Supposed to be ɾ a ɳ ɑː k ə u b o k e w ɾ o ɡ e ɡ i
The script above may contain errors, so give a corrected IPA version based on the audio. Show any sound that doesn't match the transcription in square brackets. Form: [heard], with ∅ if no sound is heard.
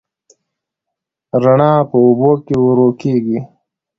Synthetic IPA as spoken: ɾ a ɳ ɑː [p] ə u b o k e w ɾ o [k] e ɡ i